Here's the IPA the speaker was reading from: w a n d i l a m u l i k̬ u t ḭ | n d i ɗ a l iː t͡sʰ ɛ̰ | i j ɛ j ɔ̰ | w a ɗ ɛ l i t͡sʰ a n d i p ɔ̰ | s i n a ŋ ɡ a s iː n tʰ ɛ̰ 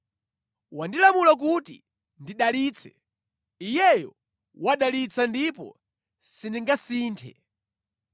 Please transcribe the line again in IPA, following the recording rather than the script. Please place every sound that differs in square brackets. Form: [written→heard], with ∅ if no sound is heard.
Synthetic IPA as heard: w a n d i l a m u l [i→a] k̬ u t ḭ | n d i ɗ a l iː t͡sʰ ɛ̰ | i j ɛ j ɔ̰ | w a ɗ [ɛ→a] l i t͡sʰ a n d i p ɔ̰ | s i n [a→i] ŋ ɡ a s iː n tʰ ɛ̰